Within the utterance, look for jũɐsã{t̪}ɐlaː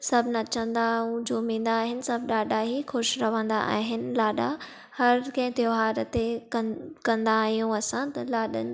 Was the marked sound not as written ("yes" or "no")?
no